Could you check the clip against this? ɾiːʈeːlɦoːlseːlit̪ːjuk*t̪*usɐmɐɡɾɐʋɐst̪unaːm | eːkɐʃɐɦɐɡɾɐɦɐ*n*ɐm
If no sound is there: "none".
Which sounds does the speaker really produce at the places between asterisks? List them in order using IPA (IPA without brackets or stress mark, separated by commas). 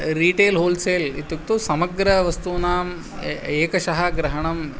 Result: t̪, ɳ